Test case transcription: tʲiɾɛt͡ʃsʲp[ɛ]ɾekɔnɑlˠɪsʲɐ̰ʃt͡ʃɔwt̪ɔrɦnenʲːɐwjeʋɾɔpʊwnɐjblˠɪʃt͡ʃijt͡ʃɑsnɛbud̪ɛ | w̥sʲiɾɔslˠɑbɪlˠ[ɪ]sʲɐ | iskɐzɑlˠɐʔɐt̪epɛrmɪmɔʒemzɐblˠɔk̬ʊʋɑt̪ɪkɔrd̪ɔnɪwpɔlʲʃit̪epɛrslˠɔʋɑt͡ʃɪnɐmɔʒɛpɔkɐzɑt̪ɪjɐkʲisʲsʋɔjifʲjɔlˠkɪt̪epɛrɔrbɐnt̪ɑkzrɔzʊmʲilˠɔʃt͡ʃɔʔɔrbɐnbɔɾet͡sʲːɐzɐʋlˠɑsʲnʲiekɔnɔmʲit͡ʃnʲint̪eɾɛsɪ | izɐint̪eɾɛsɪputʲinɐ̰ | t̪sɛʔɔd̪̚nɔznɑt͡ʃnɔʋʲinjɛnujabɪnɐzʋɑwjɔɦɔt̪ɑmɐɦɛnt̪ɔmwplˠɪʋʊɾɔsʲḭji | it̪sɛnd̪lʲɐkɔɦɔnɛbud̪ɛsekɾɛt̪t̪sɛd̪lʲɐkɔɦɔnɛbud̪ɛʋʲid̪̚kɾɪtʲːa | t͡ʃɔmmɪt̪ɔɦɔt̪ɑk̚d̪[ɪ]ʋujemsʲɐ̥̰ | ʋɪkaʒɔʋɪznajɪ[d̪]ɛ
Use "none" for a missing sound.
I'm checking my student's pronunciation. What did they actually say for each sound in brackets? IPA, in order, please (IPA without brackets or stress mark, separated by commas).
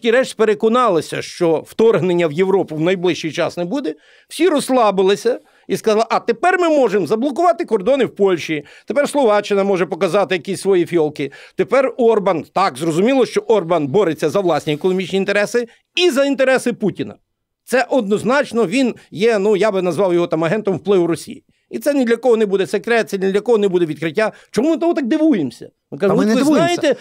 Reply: e, ɪ, ɪ, t̪